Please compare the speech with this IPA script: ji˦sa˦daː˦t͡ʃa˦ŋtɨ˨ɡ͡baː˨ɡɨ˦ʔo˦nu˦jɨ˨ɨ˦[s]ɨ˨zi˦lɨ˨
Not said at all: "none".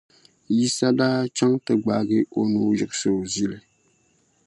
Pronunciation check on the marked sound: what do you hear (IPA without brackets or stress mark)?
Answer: s